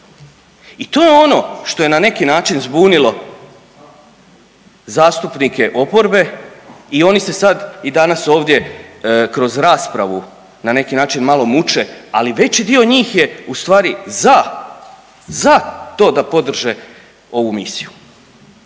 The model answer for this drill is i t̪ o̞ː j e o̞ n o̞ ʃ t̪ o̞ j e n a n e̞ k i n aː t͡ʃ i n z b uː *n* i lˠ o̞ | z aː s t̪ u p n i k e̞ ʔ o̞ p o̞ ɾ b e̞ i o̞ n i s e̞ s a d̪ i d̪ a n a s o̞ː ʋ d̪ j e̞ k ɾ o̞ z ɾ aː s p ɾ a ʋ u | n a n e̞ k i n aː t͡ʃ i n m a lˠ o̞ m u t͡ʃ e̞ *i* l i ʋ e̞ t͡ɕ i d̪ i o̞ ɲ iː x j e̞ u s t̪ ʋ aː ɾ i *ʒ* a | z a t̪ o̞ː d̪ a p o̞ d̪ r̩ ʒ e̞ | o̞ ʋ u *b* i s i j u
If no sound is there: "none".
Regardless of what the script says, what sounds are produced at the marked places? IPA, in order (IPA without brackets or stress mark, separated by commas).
n, a, z, m